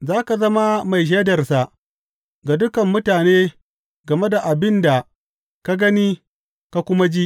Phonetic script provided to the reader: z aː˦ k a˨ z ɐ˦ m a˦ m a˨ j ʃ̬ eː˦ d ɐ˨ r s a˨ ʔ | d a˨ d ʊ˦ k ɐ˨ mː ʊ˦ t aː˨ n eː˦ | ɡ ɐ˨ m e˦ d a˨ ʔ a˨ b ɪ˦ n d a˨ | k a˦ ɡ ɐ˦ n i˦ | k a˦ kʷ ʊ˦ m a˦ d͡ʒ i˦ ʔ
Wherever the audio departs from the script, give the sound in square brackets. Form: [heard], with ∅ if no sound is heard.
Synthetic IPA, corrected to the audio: z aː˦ k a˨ z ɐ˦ m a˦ m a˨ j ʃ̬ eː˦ d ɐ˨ r s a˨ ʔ | [ɡ] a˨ d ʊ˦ k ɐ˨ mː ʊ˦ t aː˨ n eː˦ | ɡ ɐ˨ m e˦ d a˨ ʔ a˨ b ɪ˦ n d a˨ | k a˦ ɡ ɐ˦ n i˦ | k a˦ kʷ ʊ˦ m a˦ d͡ʒ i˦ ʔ